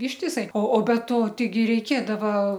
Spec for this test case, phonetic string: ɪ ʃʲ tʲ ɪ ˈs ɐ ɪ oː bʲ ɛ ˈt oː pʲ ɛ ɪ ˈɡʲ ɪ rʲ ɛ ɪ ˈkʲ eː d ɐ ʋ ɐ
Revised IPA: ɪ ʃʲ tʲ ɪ ˈs ɐ ɪ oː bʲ ɛ ˈt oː tʲ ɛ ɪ ˈɡʲ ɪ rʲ ɛ ɪ ˈkʲ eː d ɐ ʋ ɐ